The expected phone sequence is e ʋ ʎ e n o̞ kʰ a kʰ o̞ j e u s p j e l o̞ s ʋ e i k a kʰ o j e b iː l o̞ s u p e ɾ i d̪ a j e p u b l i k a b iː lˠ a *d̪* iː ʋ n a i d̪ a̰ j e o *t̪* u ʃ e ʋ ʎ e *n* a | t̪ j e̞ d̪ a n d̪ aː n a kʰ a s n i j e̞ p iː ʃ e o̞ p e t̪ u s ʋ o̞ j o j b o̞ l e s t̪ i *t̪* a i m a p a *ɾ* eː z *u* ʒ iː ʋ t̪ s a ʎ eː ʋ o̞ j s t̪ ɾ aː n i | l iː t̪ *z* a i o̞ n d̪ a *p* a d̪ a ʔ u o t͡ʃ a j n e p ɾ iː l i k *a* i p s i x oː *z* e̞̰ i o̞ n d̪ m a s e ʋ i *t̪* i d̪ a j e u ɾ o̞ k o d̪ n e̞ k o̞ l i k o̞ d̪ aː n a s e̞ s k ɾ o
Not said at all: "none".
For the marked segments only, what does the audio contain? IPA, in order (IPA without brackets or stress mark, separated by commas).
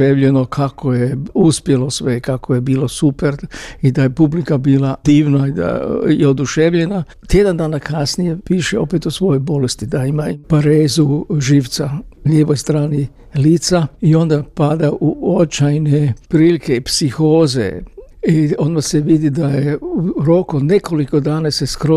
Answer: d̪, d̪, n, d̪, ɾ, u, s, p, e, z, d̪